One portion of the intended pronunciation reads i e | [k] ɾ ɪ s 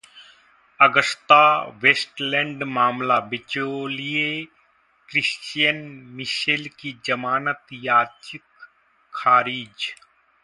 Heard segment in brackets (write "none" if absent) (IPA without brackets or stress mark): k